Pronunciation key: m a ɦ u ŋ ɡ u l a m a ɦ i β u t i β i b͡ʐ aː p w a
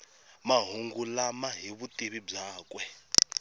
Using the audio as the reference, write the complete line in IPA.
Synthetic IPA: m a ɦ u ŋ ɡ u l a m a ɦ i β u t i β i b͡ʐ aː k w ɛ